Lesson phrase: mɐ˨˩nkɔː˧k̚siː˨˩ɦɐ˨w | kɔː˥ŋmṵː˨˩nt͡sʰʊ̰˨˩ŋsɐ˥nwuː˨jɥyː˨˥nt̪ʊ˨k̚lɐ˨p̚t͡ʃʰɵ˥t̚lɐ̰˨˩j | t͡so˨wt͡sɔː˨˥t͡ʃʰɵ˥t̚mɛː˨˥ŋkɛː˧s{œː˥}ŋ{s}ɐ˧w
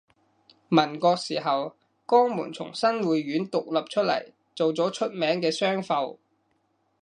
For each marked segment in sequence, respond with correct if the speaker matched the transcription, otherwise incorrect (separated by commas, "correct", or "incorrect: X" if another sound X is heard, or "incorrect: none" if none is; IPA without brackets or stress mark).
correct, incorrect: f